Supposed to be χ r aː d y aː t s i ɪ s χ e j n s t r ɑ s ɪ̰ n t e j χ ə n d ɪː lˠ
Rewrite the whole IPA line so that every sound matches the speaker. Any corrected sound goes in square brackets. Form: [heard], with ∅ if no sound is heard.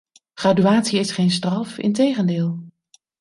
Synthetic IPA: χ r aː d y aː t s i ɪ s χ e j n s t r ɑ [f] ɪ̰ n t e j χ ə n d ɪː lˠ